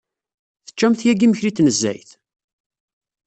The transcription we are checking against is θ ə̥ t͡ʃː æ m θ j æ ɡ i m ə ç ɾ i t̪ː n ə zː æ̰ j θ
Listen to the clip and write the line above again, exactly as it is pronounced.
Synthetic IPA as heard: θ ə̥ t͡ʃː æ m θ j æ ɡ i m ə ç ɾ i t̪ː n ə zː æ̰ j θ